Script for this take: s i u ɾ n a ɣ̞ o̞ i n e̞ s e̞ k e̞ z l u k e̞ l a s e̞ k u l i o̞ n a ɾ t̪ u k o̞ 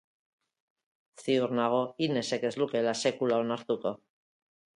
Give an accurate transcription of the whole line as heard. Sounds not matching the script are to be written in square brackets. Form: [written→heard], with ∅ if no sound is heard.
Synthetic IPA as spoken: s i u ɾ n a ɣ̞ o̞ i n e̞ s e̞ k e̞ z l u k e̞ l a s e̞ k u l [i→a] o̞ n a ɾ t̪ u k o̞